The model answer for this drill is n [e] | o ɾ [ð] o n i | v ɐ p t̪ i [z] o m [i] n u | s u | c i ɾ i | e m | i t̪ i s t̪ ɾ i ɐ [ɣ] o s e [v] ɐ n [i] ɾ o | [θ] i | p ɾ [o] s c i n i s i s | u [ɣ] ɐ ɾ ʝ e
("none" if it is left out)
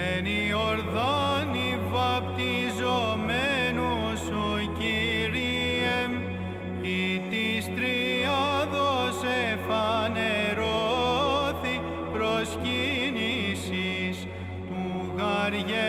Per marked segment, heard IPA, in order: i, ð, z, e, ð, f, e, θ, o, ɣ

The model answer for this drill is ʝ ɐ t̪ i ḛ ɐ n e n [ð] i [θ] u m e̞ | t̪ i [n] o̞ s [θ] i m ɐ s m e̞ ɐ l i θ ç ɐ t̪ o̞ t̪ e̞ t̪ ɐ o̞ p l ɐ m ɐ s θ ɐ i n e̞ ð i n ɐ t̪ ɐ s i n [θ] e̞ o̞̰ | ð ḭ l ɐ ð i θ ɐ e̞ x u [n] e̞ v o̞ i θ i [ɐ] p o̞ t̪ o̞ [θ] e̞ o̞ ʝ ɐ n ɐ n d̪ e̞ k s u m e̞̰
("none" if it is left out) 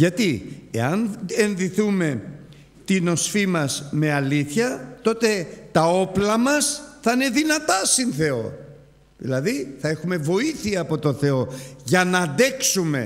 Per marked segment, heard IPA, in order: ð, θ, n, f, θ, m, ɐː, θ

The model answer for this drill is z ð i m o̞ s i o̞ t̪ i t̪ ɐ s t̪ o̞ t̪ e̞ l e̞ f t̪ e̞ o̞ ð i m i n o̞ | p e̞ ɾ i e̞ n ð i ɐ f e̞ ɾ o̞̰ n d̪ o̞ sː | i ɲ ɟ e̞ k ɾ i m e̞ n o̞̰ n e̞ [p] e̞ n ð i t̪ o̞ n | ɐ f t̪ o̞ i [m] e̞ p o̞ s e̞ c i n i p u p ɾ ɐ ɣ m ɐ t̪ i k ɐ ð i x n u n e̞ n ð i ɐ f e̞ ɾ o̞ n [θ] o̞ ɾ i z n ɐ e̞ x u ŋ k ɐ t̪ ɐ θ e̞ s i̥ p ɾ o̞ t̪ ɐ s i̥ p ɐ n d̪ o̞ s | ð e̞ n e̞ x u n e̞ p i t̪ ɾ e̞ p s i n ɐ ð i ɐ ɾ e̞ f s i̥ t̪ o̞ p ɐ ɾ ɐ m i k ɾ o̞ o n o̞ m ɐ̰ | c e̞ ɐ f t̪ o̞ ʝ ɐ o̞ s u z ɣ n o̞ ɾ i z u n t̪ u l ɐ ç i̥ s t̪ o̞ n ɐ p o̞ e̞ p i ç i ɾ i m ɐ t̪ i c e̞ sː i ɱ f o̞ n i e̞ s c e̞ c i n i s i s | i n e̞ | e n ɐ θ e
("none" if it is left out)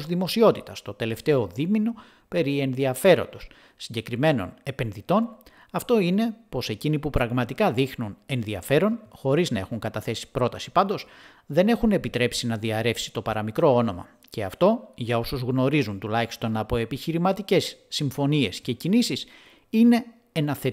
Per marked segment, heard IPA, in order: p, n, x

